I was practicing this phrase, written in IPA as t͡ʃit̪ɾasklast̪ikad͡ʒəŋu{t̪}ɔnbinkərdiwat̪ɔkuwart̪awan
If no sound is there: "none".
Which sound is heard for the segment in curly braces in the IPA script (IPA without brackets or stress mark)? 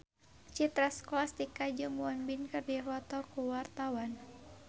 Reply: none